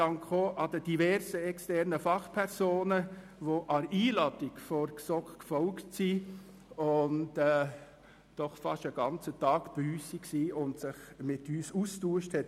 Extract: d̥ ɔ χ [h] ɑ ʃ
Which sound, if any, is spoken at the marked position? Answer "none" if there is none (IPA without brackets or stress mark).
f